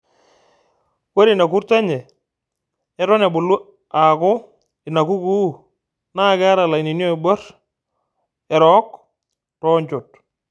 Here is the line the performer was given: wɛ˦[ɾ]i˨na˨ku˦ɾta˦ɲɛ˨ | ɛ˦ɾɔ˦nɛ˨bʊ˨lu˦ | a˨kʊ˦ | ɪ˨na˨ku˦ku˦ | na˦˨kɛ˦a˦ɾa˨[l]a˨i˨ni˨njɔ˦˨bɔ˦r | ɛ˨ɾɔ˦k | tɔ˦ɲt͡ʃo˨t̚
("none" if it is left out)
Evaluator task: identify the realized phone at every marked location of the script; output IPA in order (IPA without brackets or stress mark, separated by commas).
ɾ, l